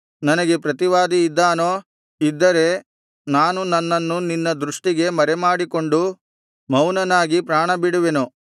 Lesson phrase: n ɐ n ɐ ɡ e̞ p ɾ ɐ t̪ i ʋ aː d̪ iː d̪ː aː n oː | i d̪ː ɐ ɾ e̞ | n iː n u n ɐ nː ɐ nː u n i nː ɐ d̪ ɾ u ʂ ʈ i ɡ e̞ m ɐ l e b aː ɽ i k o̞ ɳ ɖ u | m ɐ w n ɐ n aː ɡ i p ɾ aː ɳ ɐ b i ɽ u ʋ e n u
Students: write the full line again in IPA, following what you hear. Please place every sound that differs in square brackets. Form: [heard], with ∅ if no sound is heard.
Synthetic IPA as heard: n ɐ n ɐ ɡ e̞ p ɾ ɐ t̪ i ʋ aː d̪ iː d̪ː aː n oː | i d̪ː ɐ ɾ e̞ | n [aː] n u n ɐ nː ɐ nː u n i nː ɐ d̪ ɾ u ʂ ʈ i ɡ e̞ m ɐ [ɾ] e [m] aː ɽ i k o̞ ɳ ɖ u | m ɐ w n ɐ n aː ɡ i p ɾ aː ɳ ɐ b i ɽ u ʋ e n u